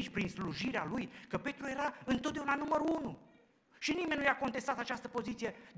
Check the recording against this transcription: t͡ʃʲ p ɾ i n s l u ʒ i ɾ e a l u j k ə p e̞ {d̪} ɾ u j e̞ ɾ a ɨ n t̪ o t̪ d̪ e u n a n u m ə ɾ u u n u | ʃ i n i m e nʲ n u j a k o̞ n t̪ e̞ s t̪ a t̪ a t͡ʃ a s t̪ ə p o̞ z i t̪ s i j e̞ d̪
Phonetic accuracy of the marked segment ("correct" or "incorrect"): incorrect